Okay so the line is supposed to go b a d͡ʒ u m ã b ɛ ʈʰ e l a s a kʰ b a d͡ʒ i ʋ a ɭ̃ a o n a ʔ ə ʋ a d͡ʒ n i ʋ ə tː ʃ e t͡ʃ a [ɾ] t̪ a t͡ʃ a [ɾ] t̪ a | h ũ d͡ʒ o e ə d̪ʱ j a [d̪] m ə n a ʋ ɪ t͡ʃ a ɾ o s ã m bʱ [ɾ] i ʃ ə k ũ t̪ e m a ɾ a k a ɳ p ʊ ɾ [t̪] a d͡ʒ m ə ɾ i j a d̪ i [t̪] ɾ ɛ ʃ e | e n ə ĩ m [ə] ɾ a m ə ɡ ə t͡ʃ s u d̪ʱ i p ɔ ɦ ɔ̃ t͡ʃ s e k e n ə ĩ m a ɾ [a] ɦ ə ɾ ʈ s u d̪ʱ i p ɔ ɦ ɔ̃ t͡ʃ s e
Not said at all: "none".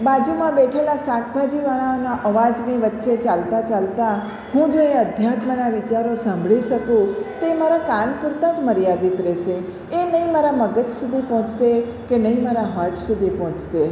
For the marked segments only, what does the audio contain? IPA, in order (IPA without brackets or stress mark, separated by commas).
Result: l, l, t̪, ɭ, t̪, t̪, a, a